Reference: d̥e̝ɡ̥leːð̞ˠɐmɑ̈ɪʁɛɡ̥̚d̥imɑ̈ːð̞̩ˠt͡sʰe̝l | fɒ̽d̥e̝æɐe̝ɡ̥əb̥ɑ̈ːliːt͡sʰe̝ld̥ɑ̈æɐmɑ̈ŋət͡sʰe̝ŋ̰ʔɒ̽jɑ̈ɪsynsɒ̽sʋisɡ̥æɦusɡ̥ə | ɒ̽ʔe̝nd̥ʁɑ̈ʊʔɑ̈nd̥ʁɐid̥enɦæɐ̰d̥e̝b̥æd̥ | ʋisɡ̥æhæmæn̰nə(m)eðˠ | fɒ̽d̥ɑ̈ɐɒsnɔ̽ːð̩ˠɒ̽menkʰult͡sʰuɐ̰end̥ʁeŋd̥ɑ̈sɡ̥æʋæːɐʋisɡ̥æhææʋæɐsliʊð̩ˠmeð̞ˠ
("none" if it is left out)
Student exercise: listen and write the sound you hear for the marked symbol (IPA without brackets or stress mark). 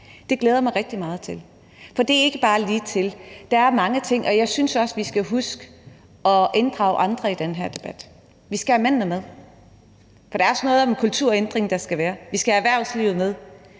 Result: m